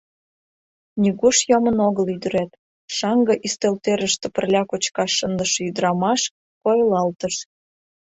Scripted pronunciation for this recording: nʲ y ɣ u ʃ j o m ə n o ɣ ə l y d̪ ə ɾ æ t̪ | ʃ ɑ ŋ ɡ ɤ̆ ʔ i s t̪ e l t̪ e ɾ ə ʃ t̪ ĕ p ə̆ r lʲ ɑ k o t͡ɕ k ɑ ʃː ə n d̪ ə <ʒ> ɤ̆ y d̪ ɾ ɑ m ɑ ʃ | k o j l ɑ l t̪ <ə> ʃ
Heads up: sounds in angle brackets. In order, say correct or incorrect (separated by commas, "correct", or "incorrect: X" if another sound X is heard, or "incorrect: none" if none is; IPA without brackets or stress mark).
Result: incorrect: ʃ, correct